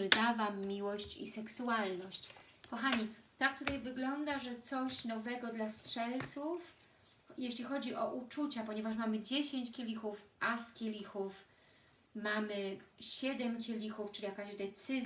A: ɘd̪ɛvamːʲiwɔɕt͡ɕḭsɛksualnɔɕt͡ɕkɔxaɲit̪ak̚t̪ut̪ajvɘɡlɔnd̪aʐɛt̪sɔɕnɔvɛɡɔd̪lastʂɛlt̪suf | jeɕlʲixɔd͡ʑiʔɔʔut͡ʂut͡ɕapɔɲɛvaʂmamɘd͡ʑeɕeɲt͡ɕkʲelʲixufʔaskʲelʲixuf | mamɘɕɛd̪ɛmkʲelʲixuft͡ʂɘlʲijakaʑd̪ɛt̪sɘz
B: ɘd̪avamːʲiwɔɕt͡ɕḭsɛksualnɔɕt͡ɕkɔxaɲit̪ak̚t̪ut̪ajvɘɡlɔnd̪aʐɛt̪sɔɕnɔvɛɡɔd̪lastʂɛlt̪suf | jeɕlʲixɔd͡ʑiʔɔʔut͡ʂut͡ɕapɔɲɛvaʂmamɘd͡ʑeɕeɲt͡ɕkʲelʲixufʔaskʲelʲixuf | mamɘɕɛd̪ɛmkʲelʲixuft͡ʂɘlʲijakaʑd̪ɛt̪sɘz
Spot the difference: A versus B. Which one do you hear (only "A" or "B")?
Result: B